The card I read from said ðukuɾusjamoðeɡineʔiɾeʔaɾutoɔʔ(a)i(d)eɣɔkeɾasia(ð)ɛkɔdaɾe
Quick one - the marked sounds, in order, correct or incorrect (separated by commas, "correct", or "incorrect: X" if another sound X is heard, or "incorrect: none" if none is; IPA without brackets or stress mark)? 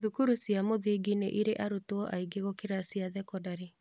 correct, incorrect: ɡ, correct